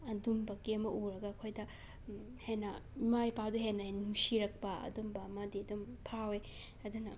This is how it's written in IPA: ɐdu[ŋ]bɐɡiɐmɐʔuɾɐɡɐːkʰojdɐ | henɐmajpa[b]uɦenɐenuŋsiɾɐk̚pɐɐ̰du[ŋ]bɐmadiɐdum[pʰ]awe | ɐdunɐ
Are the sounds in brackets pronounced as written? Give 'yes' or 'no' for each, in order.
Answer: no, no, no, yes

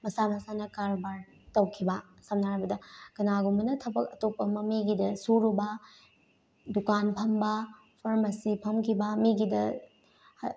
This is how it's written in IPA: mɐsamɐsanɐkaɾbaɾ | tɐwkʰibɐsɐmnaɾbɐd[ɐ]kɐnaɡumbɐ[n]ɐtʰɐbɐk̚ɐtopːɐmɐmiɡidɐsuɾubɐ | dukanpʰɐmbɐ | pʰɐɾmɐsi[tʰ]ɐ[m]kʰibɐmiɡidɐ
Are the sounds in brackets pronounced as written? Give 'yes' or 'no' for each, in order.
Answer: yes, yes, no, yes

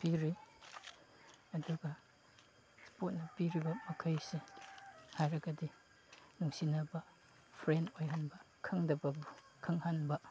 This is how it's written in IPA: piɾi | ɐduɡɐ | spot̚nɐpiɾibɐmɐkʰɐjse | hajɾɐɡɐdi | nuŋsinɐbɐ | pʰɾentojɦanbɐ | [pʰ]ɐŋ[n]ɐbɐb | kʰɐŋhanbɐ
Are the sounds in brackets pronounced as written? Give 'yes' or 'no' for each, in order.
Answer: no, no

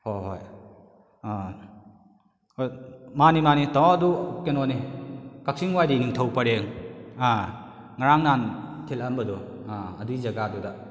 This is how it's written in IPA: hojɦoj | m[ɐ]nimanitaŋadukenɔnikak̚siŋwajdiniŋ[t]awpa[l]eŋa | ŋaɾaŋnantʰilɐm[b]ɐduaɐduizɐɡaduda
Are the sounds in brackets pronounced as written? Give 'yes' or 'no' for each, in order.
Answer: no, no, no, yes

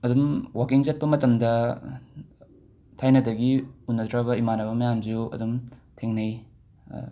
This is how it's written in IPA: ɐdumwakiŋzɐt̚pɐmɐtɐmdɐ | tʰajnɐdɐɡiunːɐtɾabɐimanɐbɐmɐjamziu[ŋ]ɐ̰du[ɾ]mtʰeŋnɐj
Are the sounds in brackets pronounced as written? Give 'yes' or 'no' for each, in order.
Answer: no, no

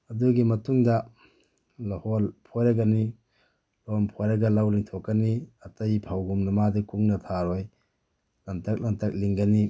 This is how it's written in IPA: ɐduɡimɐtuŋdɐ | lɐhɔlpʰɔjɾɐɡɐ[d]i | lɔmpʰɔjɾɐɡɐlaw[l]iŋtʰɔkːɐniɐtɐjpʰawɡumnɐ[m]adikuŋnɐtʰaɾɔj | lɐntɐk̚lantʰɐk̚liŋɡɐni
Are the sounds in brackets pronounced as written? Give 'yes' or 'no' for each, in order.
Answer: no, yes, yes

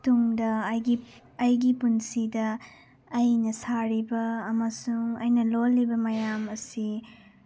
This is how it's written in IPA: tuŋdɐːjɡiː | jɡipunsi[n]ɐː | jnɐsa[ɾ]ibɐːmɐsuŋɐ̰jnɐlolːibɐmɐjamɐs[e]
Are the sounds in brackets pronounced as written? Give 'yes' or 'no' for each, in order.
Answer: no, yes, no

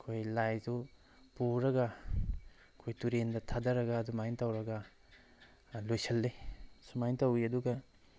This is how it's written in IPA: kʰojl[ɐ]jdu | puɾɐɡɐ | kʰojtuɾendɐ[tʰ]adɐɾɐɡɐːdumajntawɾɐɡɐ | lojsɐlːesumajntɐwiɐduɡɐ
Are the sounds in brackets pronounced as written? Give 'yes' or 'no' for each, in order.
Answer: no, yes

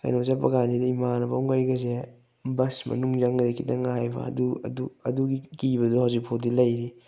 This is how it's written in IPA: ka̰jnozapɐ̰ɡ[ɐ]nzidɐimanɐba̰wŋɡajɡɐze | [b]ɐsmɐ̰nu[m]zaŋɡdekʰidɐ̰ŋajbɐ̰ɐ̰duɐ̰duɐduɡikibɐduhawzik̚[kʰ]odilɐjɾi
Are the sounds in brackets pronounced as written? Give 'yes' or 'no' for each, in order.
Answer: no, yes, no, no

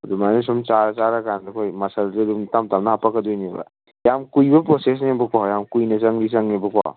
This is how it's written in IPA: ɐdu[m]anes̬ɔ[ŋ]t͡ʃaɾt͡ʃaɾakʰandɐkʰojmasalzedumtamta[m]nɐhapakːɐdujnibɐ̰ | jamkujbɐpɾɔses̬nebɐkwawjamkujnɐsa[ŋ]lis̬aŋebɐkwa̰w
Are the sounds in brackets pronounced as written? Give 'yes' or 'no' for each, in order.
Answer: yes, no, yes, yes

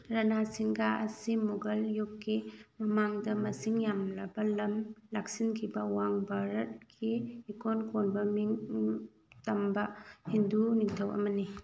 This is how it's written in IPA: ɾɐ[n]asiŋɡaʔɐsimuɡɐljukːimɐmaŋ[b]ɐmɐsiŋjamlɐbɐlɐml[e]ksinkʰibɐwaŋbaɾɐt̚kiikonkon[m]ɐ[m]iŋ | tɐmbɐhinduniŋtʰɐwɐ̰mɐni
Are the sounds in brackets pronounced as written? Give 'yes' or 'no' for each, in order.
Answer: yes, no, no, no, yes

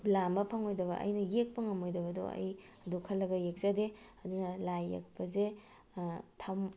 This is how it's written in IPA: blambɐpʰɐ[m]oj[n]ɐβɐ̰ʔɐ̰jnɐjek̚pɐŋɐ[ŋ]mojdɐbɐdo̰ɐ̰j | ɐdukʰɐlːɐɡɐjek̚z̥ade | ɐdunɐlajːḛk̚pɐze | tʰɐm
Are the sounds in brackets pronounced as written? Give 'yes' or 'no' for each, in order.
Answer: no, no, no

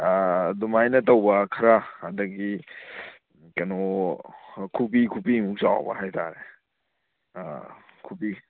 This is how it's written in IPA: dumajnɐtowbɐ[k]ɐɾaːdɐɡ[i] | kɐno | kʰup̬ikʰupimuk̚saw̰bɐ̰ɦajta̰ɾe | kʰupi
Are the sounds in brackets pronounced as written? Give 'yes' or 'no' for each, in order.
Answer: no, yes

